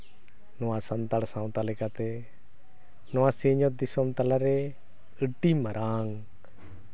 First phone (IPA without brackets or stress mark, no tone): n